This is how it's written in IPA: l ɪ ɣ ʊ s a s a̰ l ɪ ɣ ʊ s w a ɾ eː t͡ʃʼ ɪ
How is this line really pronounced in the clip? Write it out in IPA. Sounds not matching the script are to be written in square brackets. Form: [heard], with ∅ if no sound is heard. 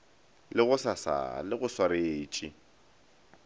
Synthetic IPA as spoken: l ɪ ɣ ʊ s a s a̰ l ɪ ɣ ʊ s w a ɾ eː t͡ʃʼ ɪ